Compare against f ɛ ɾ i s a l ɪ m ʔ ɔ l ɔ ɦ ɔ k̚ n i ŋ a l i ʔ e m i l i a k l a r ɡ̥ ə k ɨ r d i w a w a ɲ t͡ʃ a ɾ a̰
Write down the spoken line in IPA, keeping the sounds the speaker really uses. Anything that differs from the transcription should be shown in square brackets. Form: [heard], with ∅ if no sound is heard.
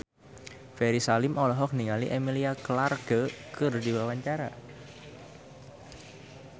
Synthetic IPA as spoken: f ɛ ɾ i s a l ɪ m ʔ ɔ l ɔ ɦ ɔ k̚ n i ŋ a l i ʔ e m i l i a k l a r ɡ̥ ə k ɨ r d i w a w a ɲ t͡ʃ a ɾ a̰